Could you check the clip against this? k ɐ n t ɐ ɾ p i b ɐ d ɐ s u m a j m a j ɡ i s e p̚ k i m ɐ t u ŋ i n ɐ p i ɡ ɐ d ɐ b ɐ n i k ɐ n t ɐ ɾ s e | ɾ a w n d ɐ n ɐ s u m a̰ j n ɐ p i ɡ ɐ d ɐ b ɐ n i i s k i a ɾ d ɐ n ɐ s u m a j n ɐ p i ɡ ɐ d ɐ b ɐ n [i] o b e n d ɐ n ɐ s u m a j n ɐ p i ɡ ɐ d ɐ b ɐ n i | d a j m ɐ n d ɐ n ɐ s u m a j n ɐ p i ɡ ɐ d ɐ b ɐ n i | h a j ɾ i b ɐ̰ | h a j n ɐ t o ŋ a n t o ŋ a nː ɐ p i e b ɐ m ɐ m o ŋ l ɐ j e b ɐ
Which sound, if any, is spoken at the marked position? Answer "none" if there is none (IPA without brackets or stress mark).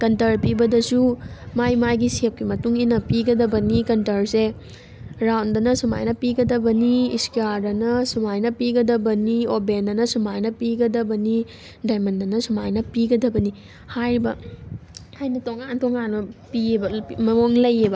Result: i